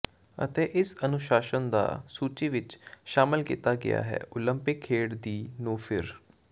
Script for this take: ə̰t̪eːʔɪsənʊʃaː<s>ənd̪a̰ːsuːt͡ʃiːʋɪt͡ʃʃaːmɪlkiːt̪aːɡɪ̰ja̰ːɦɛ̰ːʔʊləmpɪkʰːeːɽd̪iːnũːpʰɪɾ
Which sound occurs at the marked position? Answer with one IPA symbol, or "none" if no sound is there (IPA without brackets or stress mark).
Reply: ʃ